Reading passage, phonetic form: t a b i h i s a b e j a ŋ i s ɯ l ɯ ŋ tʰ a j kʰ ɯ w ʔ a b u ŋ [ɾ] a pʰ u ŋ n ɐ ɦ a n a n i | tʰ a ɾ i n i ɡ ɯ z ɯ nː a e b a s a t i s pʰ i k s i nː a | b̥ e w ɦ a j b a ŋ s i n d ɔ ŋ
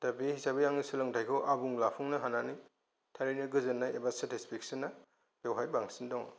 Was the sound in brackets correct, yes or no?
no